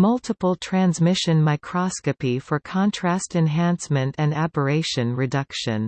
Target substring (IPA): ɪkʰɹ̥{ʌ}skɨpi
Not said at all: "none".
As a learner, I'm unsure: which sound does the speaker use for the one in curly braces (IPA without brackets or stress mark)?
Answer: ɑ